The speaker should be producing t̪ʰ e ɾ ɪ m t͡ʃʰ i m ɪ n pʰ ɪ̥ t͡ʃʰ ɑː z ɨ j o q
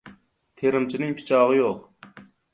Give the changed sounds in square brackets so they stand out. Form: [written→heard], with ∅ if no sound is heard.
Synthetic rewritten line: t̪ʰ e ɾ ɪ m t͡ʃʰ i [m→n] ɪ [n→ŋ] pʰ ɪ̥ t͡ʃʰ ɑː [z→ʁ] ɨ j o q